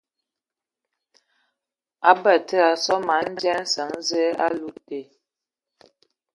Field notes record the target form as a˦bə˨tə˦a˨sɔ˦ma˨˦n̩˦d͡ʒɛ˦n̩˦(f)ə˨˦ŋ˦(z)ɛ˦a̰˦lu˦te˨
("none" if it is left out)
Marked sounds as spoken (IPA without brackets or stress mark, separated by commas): s, z